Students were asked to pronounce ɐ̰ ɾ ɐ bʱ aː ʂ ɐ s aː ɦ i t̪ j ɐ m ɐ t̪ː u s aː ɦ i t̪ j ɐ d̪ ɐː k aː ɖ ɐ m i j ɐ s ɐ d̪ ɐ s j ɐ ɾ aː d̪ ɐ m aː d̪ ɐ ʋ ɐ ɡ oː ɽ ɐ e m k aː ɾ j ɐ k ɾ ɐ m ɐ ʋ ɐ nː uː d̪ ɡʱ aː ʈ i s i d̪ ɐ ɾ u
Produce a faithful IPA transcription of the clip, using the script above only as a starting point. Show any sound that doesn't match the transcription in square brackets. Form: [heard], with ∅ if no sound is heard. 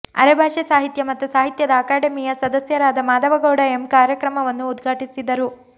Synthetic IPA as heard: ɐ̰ ɾ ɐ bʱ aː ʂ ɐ s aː ɦ i t̪ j ɐ m ɐ t̪ː u s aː ɦ i t̪ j ɐ d̪ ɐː k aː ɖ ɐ m i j ɐ s ɐ d̪ ɐ s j ɐ ɾ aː d̪ ɐ m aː d̪ ɐ ʋ ɐ ɡ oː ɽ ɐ e m k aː ɾ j ɐ k ɾ ɐ m ɐ ʋ ɐ nː uː d̪ ɡʱ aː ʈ i s i d̪ ɐ ɾ u